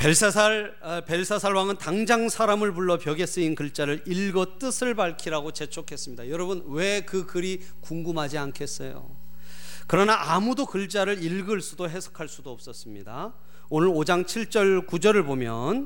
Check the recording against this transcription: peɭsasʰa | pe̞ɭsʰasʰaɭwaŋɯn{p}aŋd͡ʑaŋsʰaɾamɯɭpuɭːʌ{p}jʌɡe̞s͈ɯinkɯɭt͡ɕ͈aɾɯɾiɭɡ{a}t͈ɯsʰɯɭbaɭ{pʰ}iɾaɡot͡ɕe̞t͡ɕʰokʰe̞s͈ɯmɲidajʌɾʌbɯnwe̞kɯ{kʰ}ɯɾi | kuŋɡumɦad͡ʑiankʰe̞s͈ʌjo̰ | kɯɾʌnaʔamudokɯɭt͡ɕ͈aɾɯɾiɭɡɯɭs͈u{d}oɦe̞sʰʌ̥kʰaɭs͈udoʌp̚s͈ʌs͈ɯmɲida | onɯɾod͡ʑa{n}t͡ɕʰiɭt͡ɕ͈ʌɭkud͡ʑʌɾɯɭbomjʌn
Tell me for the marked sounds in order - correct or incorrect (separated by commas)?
incorrect, correct, incorrect, incorrect, incorrect, correct, incorrect